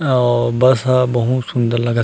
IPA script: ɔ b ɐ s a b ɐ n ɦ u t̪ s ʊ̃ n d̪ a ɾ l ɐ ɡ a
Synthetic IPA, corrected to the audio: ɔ b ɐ s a b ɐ ɦ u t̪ s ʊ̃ n d̪ ə ɾ l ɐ ɡ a